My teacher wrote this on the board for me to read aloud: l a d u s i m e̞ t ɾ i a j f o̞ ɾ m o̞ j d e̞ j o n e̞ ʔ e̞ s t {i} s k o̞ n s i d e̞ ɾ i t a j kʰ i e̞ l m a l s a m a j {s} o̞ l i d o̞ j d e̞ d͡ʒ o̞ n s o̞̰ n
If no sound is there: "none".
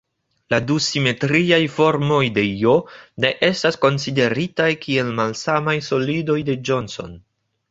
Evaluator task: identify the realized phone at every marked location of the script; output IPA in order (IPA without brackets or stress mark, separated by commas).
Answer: a, s